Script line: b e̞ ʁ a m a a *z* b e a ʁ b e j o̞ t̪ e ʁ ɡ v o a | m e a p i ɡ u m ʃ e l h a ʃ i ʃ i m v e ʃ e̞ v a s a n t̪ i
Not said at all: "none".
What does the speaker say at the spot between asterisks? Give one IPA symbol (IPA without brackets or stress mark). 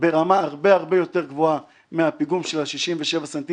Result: ʁ